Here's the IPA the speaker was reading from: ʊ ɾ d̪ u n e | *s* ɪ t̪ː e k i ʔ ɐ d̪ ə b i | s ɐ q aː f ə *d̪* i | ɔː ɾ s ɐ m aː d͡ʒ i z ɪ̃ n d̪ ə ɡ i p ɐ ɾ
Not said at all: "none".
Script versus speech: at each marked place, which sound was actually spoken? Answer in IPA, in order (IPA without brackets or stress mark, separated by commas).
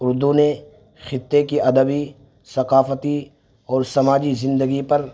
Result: x, t̪